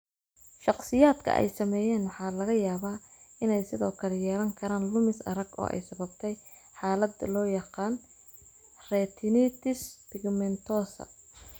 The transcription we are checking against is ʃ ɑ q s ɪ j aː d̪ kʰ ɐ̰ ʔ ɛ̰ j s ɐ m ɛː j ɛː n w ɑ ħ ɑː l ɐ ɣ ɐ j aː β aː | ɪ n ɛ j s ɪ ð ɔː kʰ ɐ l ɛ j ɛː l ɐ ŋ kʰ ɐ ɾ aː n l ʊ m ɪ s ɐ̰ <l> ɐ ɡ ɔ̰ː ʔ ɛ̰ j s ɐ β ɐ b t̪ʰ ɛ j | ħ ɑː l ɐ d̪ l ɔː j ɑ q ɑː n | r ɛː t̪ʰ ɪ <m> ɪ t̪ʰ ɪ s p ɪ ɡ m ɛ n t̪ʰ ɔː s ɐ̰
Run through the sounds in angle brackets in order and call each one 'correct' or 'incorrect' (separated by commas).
incorrect, incorrect